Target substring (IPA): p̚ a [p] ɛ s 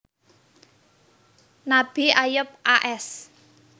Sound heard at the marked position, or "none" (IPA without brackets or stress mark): ʔ